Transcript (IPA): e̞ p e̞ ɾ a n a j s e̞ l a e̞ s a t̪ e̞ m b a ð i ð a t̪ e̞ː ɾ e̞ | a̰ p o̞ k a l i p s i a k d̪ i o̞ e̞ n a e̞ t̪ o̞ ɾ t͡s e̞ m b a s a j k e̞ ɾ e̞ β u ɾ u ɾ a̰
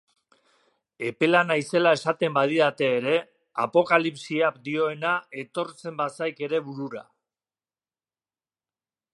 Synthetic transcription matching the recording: e̞ p e̞ l a n a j s e̞ l a e̞ s a t̪ e̞ m b a ð i ð a t̪ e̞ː ɾ e̞ | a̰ p o̞ k a l i p s i a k d̪ i o̞ e̞ n a e̞ t̪ o̞ ɾ t͡s e̞ m b a s a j k e̞ ɾ e̞ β u ɾ u ɾ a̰

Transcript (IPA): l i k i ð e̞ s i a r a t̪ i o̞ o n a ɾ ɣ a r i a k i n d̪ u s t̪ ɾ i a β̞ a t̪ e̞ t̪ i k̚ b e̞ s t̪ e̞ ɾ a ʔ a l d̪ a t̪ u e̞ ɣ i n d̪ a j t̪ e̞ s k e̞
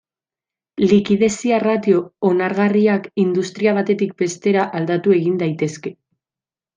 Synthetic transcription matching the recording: l i k i ð e̞ s i a r a t̪ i o̞ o n a ɾ ɣ a r i a k i n d̪ u s t̪ ɾ i a β̞ a t̪ e̞ t̪ i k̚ b e̞ s t̪ e̞ ɾ a ʔ a l d̪ a t̪ u e̞ ɣ i n d̪ a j t̪ e̞ s k e̞

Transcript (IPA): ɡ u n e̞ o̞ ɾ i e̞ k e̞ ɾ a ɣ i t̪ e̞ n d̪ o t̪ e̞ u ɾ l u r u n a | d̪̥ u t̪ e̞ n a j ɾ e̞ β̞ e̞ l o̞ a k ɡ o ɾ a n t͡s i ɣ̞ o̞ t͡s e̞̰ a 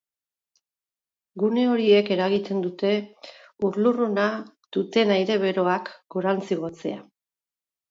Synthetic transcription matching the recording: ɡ u n e̞ o̞ ɾ i e̞ k e̞ ɾ a ɣ i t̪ e̞ n d̪ u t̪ e̞ u ɾ l u r u n a | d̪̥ u t̪ e̞ n a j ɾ e̞ β̞ e̞ ɾ o̞ a k ɡ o ɾ a n t͡s i ɣ̞ o̞ t͡s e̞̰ a

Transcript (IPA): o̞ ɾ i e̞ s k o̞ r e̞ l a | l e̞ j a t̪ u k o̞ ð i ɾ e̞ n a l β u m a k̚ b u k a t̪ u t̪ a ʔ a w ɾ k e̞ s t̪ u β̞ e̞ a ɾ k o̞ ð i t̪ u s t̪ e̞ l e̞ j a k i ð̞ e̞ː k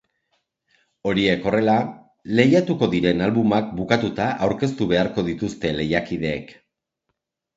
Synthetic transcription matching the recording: o̞ ɾ i e̞ k o̞ r e̞ l a | l e̞ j a t̪ u k o̞ ð i ɾ e̞ n a l β u m a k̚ b u k a t̪ u t̪ a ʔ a w ɾ k e̞ s t̪ u β̞ e̞ a ɾ k o̞ ð i t̪ u s t̪ e̞ l e̞ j a k i ð̞ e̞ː k

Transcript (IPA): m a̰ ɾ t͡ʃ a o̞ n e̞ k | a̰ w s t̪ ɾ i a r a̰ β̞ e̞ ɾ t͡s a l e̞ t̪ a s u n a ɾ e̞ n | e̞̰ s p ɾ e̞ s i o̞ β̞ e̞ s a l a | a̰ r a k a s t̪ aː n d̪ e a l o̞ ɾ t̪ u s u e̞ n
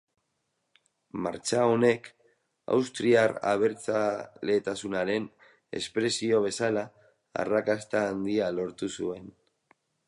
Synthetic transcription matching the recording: m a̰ ɾ t͡ʃ a o̞ n e̞ k | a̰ w s t̪ ɾ i a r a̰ β̞ e̞ ɾ t͡s a l e̞ t̪ a s u n a ɾ e̞ n | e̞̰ s p ɾ e̞ s i o̞ β̞ e̞ s a l a | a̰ r a k a s t̪ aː n d̪ i a l o̞ ɾ t̪ u s u e̞ n

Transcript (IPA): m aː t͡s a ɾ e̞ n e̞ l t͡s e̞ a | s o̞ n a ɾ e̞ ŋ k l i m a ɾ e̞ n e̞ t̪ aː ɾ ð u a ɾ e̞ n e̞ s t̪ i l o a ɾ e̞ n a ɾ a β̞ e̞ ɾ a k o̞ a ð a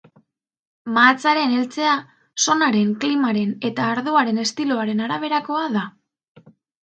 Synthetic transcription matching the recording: m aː t͡s a ɾ e̞ n e̞ l t͡s e̞ a | s o̞ n a ɾ e̞ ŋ k l i m a ɾ e̞ n e̞ t̪ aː ɾ ð u a ɾ e̞ n e̞ s t̪ i l o a ɾ e̞ n a ɾ a β̞ e̞ ɾ a k o̞ a ð a

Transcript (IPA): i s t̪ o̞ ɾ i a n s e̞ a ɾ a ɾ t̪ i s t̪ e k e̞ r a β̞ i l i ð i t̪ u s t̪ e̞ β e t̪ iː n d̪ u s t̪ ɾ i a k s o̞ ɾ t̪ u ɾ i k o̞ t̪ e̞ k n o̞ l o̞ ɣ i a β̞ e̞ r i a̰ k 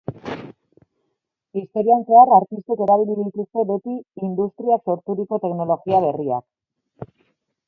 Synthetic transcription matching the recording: i s t̪ o̞ ɾ i a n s e̞ a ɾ a ɾ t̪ i s t̪ e k e̞ ɾ a β̞ i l i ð i t̪ u s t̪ e̞ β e t̪ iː n d̪ u s t̪ ɾ i a k s o̞ ɾ t̪ u ɾ i k o̞ t̪ e̞ k n o̞ l o̞ ɣ i a β̞ e̞ r i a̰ k

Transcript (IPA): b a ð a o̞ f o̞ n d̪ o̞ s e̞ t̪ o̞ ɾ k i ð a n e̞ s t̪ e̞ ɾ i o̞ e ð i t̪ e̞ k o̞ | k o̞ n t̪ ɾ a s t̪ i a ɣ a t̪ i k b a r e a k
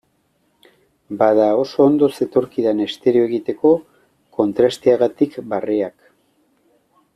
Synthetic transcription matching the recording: b a ð a o̞ s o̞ n d̪ o̞ s e̞ t̪ o̞ ɾ k i ð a n e̞ s t̪ e̞ ɾ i o̞ e ɣ i t̪ e̞ k o̞ | k o̞ n t̪ ɾ a s t̪ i a ɣ a t̪ i k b a r e a k

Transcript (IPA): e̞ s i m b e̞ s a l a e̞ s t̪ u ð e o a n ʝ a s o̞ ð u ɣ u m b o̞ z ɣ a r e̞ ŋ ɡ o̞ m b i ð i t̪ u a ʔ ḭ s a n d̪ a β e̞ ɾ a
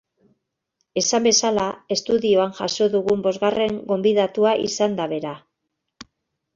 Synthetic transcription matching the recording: e̞ s a m b e̞ s a l a e̞ s t̪ u ð i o a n ʝ a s o̞ ð u ɣ u m b o̞ z ɣ a r e̞ ŋ ɡ o̞ m b i ð a t̪ u a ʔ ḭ s a n d̪ a β e̞ ɾ a

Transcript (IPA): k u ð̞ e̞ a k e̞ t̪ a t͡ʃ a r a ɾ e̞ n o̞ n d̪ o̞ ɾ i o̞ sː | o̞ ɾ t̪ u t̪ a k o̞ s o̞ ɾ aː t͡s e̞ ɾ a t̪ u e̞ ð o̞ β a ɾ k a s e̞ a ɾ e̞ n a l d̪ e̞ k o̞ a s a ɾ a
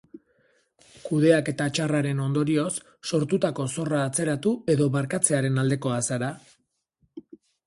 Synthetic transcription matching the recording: k u ð̞ e̞ a k e̞ t̪ a t͡ʃ a r a ɾ e̞ n o̞ n d̪ o̞ ɾ i o̞ sː | o̞ ɾ t̪ u t̪ a k o̞ s o̞ r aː t͡s e̞ ɾ a t̪ u e̞ ð o̞ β a ɾ k a t͡s e̞ a ɾ e̞ n a l d̪ e̞ k o̞ a s a ɾ a

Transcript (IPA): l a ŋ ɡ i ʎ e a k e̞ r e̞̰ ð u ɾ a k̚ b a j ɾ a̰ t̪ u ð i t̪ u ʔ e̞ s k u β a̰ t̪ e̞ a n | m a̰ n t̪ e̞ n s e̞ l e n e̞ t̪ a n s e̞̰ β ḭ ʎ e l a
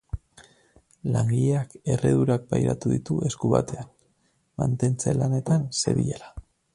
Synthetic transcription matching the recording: l a ŋ ɡ i ʎ e a k e̞ r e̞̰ ð u ɾ a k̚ b a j ɾ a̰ t̪ u ð i t̪ u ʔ e̞ s k u β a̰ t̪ e̞ a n | m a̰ n t̪ e̞ n t͡s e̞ l a n e̞ t̪ a n s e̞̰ β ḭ ʎ e l a

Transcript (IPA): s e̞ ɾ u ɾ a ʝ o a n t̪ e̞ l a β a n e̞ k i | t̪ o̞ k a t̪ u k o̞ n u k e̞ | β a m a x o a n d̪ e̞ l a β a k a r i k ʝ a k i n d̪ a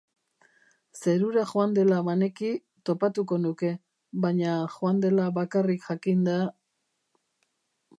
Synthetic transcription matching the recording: s e̞ ɾ u ɾ a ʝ o a n d̪ e̞ l a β a n e̞ k i | t̪ o̞ p a t̪ u k o̞ n u k e̞ | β a ɲ a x o a n d̪ e̞ l a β a k a r i k ʝ a k i n d̪ a

